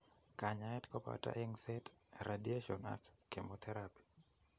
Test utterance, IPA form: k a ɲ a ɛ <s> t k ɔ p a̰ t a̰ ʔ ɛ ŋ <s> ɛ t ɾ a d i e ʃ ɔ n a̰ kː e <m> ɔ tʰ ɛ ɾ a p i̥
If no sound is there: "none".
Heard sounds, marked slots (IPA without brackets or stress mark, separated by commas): none, s, m